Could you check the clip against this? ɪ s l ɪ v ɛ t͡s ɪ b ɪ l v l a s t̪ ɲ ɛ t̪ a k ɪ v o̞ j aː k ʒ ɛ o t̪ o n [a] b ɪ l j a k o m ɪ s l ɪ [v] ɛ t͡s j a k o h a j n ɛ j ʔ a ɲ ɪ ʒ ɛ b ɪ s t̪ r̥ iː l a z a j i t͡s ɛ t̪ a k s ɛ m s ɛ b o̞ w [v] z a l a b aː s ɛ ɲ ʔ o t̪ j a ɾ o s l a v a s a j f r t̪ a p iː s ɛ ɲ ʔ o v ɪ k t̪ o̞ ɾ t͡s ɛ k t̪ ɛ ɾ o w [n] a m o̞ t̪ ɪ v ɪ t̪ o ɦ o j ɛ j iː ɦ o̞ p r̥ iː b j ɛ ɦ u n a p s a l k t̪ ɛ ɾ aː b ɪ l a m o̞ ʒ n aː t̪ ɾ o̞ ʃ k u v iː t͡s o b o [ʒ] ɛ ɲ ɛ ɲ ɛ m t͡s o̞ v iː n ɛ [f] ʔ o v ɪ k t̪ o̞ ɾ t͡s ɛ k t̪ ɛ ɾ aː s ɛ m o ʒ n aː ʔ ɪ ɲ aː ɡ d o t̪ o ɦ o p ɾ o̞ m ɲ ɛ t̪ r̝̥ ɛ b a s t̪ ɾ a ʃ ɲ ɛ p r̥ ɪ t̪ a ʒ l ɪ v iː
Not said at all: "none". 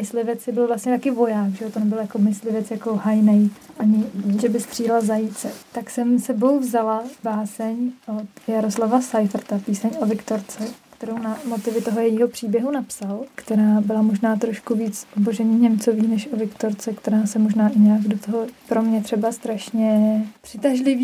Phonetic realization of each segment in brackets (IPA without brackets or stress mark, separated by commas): ɛ, v, v, n, ʒ, ʃ